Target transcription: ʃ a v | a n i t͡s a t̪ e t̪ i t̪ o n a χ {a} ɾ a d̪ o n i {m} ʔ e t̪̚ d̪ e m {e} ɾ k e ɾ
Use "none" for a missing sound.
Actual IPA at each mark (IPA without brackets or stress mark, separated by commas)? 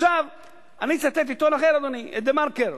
e, none, a